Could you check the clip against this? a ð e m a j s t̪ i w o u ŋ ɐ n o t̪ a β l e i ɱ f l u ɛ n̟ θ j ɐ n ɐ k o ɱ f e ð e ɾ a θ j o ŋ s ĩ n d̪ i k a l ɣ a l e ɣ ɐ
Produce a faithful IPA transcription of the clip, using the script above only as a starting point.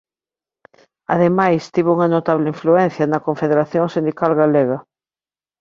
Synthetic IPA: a ð e m a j s t̪ i β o u ŋ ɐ n o t̪ a β l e i ɱ f l u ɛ n̟ θ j ɐ n ɐ k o ɱ f e ð e ɾ a θ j o ŋ s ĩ n d̪ i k a l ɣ a l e ɣ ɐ